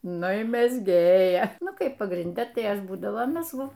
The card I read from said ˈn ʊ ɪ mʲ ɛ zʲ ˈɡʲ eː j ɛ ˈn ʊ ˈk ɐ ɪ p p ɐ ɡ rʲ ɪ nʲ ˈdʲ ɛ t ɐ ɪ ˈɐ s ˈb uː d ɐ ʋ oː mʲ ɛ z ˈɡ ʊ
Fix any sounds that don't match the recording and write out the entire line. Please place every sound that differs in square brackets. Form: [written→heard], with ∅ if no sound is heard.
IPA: ˈn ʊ ɪ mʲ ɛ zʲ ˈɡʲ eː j ɛ ˈn ʊ ˈk ɐ ɪ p p ɐ ɡ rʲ ɪ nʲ ˈdʲ ɛ t ɐ ɪ ˈɐ [s→ʃ] ˈb uː d ɐ ʋ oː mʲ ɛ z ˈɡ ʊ